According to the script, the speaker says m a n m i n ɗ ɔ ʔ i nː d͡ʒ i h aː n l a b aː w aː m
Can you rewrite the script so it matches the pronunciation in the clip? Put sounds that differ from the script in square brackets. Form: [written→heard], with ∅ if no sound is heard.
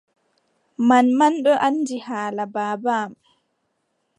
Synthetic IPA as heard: m a n m [i→a] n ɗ ɔ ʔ [i→a] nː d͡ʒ i h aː [n→∅] l a b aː [w→b] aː m